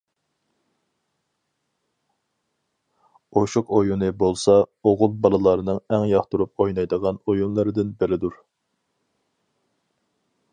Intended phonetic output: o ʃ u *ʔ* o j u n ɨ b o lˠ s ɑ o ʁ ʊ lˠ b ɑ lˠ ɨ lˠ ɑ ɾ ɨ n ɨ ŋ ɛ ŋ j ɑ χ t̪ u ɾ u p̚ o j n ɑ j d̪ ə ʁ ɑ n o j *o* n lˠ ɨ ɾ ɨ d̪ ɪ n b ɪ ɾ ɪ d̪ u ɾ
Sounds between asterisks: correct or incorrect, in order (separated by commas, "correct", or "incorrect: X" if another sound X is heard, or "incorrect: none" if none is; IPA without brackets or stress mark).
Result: incorrect: q, incorrect: u